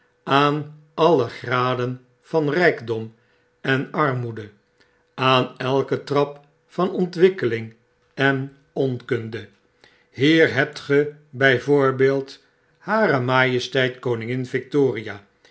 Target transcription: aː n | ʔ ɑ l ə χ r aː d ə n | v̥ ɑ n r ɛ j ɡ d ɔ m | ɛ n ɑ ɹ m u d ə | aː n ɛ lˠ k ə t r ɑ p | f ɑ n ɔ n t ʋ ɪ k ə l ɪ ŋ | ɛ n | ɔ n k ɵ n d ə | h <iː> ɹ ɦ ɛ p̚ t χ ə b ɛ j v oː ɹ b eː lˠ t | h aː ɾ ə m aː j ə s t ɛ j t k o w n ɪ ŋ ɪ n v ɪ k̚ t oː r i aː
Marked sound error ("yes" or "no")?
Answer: no